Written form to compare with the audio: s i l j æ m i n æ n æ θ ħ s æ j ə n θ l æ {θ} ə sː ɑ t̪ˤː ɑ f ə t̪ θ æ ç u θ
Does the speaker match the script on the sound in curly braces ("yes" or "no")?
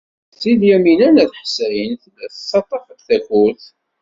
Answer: yes